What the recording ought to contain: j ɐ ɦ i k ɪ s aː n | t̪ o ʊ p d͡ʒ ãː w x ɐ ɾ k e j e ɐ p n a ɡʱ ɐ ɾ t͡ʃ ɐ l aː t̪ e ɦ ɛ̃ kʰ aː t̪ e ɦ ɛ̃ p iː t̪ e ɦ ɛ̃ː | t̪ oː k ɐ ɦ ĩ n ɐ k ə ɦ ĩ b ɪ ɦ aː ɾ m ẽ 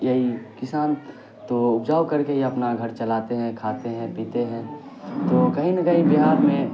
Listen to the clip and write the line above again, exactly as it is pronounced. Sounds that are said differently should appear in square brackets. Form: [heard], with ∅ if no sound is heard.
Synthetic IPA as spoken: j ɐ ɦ i k ɪ s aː n | t̪ o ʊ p d͡ʒ [aː] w [k] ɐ ɾ k e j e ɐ p n a ɡʱ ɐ ɾ t͡ʃ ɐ l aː t̪ e ɦ ɛ̃ kʰ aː t̪ e ɦ ɛ̃ p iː t̪ e ɦ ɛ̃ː | t̪ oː k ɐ ɦ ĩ n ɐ k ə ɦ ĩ b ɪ ɦ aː ɾ m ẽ